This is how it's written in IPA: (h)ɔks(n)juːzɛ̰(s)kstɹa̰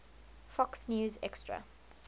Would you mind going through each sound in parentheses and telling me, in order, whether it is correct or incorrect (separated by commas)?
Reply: incorrect, correct, incorrect